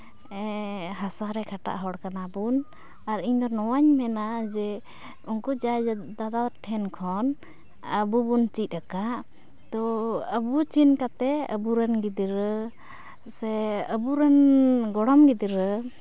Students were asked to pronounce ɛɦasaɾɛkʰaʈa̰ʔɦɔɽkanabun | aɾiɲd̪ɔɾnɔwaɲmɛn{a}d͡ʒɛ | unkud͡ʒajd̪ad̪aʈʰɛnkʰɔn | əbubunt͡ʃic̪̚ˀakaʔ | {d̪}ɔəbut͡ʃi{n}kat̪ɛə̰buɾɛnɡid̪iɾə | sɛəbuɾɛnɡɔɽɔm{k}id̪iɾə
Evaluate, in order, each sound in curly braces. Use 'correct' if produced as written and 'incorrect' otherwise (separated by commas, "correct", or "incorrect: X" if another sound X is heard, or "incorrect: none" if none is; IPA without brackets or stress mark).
correct, incorrect: t̪, correct, incorrect: ɡ